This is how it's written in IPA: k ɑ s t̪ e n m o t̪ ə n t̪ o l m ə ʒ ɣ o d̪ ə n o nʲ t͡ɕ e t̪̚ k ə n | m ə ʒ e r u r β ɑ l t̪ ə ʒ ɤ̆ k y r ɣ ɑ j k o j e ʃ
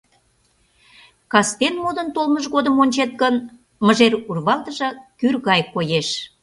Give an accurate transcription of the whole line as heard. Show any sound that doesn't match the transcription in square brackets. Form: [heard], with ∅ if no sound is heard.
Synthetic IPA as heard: k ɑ s t̪ e n m o [d̪] ə n t̪ o l m ə ʒ ɣ o d̪ ə [m] o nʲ t͡ɕ e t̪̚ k ə n | m ə ʒ e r u r β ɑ l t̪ ə ʒ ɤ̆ k y r ɣ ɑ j k o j e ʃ